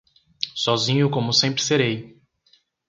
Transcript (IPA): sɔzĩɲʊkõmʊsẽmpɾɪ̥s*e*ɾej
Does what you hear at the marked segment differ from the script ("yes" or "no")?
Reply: no